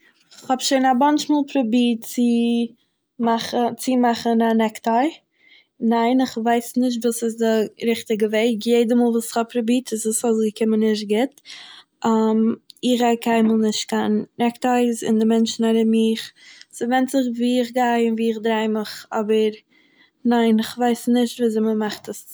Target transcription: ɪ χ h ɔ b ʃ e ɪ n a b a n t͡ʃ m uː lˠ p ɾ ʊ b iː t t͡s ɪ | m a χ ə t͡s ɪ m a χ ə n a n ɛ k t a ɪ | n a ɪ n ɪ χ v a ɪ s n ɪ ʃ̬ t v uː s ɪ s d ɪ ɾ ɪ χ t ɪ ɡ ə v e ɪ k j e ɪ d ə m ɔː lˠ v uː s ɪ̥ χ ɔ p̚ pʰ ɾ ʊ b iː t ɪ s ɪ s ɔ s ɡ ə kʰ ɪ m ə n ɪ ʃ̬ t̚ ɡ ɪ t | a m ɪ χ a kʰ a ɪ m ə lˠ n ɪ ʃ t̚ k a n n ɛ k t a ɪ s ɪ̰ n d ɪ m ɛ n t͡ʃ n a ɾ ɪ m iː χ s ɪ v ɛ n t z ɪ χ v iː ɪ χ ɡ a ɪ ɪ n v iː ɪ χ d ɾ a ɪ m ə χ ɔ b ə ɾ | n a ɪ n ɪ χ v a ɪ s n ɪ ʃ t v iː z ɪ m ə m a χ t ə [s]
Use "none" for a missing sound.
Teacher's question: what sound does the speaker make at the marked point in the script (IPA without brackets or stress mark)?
s